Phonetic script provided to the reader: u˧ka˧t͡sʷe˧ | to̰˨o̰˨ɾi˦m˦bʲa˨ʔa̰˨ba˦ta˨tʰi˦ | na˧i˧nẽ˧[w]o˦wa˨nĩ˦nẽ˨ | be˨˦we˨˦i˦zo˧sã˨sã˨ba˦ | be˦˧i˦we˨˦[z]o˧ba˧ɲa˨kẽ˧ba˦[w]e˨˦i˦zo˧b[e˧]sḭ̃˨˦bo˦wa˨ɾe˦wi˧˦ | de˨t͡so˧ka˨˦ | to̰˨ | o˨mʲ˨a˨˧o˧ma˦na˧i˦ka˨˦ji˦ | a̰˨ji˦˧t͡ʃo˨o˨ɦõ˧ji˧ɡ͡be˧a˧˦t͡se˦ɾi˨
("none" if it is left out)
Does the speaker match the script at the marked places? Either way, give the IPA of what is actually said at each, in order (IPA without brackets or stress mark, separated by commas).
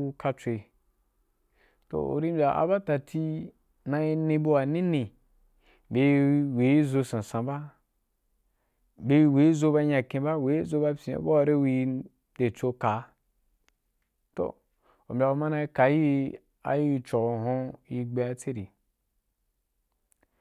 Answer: b, z, w, a˧